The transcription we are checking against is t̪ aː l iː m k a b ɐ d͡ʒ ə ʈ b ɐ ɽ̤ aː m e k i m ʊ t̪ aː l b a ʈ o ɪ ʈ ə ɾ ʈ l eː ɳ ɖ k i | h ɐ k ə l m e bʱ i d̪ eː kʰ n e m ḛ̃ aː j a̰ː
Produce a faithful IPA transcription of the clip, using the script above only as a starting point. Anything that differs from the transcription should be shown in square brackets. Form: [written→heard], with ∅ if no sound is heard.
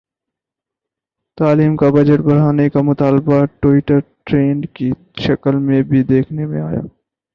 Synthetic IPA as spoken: t̪ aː l iː m k a b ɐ d͡ʒ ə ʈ b ɐ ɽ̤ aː [m→n] e k [i→a] m ʊ t̪ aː l b a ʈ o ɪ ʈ ə ɾ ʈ [l→ɾ] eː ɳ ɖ k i | [h→ʃ] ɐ k ə l m [e→ẽ] bʱ i d̪ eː kʰ n e m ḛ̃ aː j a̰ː